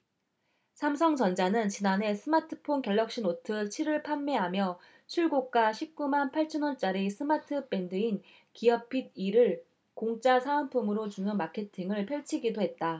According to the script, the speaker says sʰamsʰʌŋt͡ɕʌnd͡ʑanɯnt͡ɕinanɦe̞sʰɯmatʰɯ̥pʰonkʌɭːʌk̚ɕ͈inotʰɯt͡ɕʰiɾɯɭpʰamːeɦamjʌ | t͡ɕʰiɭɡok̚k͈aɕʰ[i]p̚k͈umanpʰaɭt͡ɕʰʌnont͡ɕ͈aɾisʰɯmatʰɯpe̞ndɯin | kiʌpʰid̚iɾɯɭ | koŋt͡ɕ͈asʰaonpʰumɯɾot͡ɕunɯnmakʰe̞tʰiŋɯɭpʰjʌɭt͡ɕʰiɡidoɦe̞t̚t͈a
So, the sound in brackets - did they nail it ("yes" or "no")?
yes